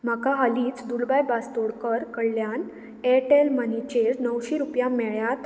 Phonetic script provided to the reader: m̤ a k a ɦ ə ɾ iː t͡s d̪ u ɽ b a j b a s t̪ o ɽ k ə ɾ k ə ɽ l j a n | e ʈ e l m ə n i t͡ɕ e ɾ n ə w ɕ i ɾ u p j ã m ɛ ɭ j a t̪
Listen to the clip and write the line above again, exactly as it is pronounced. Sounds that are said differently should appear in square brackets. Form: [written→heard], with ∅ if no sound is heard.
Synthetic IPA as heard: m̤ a k a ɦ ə [ɾ→l] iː t͡s d̪ u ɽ b a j b a s t̪ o ɽ k ə ɾ k ə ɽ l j a n | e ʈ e l m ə n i t͡ɕ e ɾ n ə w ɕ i ɾ u p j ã m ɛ ɭ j a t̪